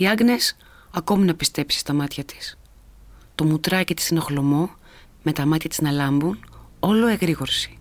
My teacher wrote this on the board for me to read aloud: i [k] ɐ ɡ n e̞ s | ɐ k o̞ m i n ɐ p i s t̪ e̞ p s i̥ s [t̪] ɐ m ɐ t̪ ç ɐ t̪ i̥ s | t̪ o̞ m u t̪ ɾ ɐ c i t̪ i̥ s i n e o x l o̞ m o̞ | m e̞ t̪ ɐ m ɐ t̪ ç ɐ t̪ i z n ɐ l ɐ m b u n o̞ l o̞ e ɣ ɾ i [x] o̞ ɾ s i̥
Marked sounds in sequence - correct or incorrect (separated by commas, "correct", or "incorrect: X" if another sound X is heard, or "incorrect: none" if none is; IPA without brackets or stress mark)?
incorrect: none, correct, incorrect: ɣ